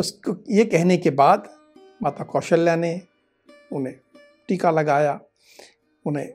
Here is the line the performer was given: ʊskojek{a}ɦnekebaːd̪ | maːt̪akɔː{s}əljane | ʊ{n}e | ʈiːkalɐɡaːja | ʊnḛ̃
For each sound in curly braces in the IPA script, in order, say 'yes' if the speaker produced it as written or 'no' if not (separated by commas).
no, no, yes